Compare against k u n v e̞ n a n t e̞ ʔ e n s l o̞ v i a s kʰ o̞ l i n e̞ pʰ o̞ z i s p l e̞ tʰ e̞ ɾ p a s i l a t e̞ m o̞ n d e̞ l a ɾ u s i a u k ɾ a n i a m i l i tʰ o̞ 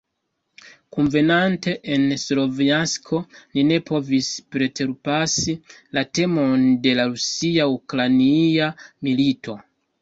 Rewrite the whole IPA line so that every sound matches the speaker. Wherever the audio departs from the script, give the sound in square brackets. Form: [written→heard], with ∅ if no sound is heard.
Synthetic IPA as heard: k u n v e̞ n a n t e̞ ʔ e n s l o̞ v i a s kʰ o̞ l i n e̞ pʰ o̞ [z→v] i s p [l→ɾ] e̞ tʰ e̞ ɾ p a s i l a t e̞ m o̞ n d e̞ l a ɾ u s i a u k ɾ a n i a m i l i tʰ o̞